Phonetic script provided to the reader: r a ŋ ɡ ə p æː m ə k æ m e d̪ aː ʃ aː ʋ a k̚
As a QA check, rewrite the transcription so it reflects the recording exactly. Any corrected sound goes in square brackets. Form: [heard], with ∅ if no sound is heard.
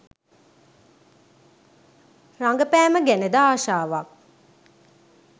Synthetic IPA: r a ŋ ɡ ə p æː m ə [ɡ] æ [n] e d̪ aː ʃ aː ʋ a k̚